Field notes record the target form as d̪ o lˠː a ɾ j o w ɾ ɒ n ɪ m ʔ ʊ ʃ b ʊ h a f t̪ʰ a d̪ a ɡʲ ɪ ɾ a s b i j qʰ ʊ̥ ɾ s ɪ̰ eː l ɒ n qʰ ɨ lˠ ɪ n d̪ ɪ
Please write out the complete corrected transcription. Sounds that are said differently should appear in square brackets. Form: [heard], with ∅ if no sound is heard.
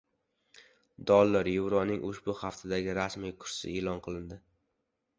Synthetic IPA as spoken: d̪ [ɒ] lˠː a ɾ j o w ɾ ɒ n ɪ [ŋ] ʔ ʊ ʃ b ʊ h a f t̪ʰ a d̪ a ɡʲ ɪ ɾ a s [m] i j [kʰ] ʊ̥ ɾ s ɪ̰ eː l ɒ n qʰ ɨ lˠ ɪ n d̪ ɪ